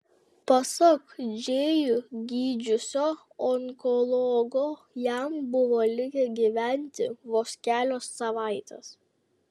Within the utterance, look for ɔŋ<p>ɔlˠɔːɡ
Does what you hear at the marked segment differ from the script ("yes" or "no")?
yes